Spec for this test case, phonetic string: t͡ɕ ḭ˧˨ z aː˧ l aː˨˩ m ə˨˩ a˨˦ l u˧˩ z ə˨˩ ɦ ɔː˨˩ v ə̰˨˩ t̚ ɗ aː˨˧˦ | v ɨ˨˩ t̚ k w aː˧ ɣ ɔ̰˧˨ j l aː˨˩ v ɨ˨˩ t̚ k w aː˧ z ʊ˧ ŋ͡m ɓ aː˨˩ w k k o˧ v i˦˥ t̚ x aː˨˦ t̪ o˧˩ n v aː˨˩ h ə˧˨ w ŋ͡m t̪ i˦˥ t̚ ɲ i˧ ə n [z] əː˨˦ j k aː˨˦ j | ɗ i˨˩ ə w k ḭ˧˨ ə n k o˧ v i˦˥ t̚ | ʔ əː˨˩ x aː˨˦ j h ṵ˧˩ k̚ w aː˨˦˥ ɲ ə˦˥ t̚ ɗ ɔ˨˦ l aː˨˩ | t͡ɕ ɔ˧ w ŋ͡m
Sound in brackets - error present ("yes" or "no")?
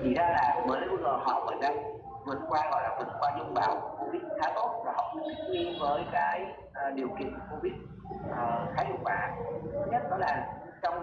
yes